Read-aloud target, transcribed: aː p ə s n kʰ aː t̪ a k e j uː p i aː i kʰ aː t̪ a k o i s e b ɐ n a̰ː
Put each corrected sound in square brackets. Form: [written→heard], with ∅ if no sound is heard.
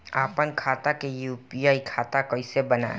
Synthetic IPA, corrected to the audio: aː p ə [s→∅] n kʰ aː t̪ a k e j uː p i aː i kʰ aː t̪ a k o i s e b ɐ n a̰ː